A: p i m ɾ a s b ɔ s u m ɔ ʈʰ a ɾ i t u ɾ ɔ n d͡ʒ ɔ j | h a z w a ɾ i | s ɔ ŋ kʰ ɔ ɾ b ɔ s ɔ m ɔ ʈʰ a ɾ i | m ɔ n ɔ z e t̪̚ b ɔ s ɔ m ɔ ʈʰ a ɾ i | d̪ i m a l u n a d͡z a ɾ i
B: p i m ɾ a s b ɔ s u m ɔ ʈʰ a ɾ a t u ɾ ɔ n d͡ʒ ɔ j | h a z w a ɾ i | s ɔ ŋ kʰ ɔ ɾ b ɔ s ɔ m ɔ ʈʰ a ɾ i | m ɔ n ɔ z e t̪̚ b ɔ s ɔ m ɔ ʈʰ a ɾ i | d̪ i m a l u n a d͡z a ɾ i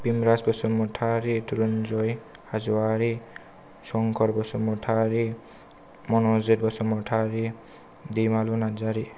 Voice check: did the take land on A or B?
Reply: A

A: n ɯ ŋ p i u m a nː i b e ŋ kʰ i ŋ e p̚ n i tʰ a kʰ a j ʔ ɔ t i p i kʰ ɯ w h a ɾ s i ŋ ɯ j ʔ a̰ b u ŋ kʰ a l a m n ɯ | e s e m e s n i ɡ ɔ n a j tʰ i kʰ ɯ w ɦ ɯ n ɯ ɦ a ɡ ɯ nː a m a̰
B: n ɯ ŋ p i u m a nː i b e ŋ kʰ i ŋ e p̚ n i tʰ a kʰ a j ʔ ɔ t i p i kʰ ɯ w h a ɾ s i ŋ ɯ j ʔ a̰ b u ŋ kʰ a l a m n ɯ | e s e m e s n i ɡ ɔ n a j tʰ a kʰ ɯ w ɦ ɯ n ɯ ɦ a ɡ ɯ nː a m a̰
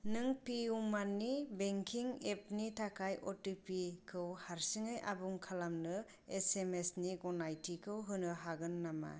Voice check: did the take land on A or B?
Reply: A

